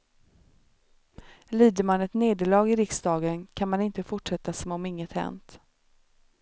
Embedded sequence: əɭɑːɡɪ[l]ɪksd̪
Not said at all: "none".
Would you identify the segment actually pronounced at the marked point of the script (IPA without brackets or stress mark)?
ɾ